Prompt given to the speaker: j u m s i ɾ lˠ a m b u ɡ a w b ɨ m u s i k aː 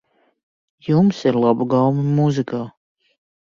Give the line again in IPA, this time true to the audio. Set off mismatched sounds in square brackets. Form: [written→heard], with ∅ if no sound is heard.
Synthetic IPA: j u m s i ɾ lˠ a [m→∅] b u ɡ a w [b→m] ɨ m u [s→z] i k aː